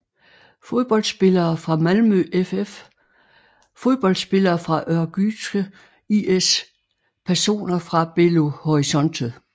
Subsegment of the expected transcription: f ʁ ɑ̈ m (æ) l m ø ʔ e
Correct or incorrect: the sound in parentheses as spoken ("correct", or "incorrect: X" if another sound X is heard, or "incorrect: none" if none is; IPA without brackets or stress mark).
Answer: correct